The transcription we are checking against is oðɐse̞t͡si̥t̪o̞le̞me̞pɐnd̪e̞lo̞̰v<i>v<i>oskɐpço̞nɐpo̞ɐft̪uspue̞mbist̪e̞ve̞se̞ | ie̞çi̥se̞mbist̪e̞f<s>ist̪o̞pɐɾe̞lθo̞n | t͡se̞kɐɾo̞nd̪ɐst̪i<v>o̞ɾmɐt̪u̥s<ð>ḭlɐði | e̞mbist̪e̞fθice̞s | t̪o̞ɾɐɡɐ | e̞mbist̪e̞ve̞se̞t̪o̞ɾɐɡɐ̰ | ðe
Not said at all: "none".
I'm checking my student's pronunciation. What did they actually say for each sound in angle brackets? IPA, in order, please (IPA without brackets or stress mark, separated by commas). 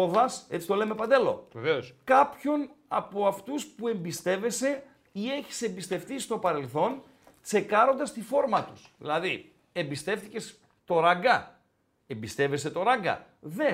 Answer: e, e, θ, f, ð